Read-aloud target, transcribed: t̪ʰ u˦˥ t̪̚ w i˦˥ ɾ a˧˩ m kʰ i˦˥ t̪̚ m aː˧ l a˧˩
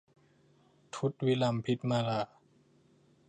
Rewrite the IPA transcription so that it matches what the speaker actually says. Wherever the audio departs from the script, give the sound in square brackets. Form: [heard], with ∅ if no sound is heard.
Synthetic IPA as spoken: t̪ʰ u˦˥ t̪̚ w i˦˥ [l] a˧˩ m [pʰ] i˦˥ t̪̚ m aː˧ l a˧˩